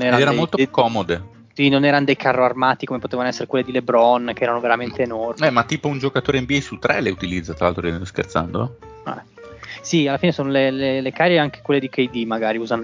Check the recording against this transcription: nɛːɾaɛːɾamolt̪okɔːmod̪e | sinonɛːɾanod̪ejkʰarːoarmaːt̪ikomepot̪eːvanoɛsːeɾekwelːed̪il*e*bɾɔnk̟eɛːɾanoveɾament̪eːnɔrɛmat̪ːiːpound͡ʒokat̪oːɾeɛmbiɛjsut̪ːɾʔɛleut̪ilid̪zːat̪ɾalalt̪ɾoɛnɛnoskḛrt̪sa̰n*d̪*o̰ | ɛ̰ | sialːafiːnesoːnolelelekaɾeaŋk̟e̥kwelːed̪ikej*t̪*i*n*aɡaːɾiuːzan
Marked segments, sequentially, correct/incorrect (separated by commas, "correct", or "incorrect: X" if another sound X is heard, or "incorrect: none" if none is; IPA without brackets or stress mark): correct, correct, incorrect: d̪, incorrect: m